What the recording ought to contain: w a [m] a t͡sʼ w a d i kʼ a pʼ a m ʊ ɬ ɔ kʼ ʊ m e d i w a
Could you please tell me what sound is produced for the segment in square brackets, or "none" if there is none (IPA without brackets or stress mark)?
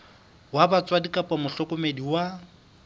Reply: b